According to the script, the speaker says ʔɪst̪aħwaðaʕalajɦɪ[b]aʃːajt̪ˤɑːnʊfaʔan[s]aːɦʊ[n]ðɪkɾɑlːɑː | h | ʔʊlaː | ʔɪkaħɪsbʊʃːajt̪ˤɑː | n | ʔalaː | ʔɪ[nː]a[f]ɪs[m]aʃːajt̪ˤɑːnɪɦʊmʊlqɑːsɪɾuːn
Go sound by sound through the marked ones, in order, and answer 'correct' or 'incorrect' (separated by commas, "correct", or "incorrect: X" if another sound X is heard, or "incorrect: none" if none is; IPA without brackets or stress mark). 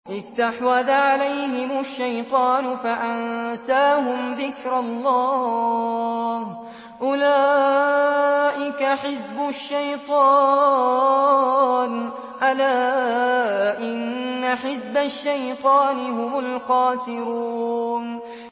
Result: incorrect: m, correct, incorrect: m, correct, incorrect: ħ, incorrect: b